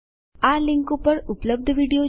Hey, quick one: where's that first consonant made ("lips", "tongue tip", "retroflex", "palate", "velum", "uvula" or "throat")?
tongue tip